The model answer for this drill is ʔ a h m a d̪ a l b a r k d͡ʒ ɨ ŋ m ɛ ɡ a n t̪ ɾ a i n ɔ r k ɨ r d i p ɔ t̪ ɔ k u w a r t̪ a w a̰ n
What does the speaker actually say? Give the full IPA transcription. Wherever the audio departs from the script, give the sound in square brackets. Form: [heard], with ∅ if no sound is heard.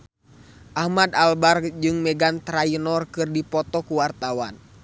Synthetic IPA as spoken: ʔ a h m a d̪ a l b a r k d͡ʒ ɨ ŋ m ɛ ɡ a n t̪ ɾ a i n ɔ r k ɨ r d i p ɔ t̪ ɔ k u w a r t̪ a w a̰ n